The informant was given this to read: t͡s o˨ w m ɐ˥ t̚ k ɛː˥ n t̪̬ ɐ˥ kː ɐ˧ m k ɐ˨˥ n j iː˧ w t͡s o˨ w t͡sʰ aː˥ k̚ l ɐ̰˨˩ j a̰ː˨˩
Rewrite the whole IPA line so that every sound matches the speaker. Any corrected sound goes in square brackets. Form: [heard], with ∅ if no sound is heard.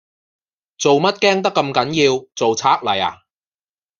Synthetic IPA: t͡s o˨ w m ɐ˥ t̚ k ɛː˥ [ŋ] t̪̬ ɐ˥ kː ɐ˧ m k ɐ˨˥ n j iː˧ w t͡s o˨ w t͡sʰ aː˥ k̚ l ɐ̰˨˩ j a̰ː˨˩